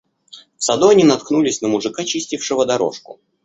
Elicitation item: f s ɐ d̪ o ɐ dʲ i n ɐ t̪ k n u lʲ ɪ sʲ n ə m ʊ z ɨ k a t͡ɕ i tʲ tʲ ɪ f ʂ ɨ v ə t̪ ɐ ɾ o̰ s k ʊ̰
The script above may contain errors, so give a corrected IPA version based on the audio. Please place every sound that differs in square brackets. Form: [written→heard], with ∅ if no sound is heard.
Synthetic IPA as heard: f s ɐ d̪ o ɐ [dʲ→nʲ] i n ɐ t̪ k n u lʲ ɪ sʲ n ə m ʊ [z→ʐ] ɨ k a t͡ɕ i [tʲ→sʲ] tʲ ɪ f ʂ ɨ v ə [t̪→d̪] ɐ ɾ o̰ [s→ʂ] k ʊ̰